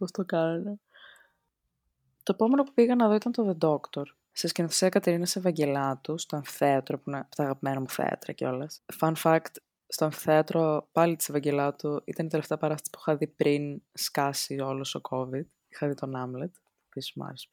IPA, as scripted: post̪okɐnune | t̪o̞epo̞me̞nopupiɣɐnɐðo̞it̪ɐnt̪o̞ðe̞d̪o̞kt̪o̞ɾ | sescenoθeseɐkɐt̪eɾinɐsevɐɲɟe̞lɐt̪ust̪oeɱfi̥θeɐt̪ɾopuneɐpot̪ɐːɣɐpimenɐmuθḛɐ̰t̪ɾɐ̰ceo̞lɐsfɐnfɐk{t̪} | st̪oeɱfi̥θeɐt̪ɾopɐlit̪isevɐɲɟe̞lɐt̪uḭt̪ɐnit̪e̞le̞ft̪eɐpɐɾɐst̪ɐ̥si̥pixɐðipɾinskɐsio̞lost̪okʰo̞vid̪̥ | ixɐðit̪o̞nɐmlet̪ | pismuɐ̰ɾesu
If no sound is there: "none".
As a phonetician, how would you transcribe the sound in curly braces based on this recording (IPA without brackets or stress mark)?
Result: t̪